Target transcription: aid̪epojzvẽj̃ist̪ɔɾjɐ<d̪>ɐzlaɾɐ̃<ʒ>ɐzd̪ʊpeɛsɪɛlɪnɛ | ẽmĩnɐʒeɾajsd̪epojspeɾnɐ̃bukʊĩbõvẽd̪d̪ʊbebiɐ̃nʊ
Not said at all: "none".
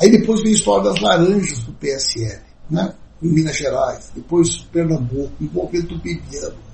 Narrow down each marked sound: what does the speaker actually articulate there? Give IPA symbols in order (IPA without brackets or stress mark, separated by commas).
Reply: d̪, ʒ